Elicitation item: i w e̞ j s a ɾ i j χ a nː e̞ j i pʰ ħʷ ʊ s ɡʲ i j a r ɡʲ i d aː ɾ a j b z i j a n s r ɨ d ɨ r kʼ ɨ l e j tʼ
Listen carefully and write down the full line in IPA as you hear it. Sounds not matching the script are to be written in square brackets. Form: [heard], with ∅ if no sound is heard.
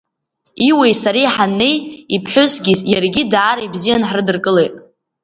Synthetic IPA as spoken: i w e̞ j s a ɾ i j [ħ] a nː e̞ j i pʰ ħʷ ʊ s ɡʲ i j a r ɡʲ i d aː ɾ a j b z i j a n [ħ] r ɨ d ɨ r kʼ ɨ l e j tʼ